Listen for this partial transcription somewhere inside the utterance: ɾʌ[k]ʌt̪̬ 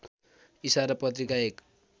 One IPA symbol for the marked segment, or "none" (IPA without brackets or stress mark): p